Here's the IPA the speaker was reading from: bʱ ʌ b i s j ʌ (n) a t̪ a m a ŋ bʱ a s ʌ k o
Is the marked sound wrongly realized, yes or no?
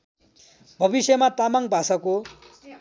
yes